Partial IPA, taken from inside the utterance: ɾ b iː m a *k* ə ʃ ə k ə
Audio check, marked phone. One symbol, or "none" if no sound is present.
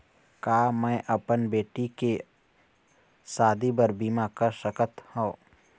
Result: k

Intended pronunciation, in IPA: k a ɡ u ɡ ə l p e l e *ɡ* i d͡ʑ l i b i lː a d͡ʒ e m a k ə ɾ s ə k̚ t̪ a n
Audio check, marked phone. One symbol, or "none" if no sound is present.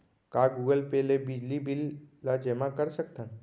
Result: b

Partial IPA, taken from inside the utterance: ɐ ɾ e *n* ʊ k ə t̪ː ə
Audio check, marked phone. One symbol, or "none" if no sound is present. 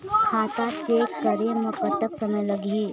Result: m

